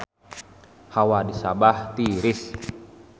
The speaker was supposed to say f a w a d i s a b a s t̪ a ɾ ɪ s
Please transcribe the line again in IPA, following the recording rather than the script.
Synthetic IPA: h a w a d i s a b a h t̪ i ɾ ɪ s